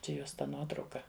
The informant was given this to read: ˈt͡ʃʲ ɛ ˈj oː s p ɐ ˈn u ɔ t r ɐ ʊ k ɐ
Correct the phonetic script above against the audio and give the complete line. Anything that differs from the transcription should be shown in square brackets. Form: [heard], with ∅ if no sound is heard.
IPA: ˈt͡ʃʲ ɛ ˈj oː s [t] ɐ ˈn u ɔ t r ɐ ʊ k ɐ